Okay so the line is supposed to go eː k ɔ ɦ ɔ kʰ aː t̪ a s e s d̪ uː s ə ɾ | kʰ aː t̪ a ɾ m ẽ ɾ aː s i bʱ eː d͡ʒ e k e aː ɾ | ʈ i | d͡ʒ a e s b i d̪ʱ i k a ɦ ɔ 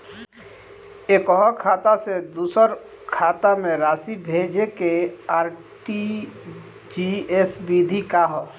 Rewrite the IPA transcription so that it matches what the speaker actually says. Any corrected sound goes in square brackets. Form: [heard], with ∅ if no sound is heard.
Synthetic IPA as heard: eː k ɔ ɦ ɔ kʰ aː t̪ a s e [∅] d̪ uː s ə ɾ | kʰ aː t̪ a [∅] m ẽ ɾ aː s i bʱ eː d͡ʒ e k e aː ɾ | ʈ i | d͡ʒ [i] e s b i d̪ʱ i k a ɦ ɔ